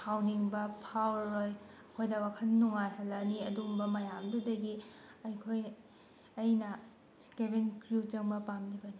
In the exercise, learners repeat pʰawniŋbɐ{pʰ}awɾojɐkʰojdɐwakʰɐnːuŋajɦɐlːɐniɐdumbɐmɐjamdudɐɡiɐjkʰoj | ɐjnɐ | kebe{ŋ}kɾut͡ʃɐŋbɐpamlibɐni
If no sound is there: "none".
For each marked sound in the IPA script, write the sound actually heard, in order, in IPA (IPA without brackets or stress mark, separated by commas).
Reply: pʰ, n